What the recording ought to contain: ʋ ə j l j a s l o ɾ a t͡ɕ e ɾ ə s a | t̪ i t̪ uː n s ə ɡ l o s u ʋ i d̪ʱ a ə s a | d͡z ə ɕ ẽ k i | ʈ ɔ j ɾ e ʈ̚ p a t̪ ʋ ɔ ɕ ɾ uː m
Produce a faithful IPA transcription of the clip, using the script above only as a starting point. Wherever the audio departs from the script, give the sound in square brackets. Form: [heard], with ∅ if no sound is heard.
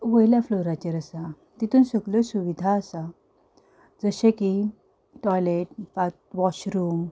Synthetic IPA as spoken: ʋ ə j l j a [f] l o ɾ a t͡ɕ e ɾ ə s a | t̪ i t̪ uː n s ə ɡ l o s u ʋ i d̪ʱ a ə s a | d͡z ə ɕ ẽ k i | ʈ ɔ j [l] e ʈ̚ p a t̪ ʋ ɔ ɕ ɾ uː m